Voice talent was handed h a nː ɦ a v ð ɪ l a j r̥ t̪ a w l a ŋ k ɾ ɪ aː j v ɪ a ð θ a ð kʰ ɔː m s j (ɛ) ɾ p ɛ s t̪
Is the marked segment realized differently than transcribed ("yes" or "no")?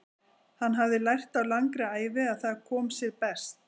no